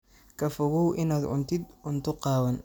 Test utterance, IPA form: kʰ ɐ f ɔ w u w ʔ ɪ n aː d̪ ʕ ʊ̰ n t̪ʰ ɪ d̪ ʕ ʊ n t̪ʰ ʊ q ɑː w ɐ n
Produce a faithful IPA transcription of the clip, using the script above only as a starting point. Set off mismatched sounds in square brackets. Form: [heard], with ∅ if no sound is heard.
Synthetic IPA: kʰ ɐ f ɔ [ɣ] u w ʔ ɪ n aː d̪ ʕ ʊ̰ n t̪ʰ ɪ d̪ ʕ ʊ n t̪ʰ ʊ q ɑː w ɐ n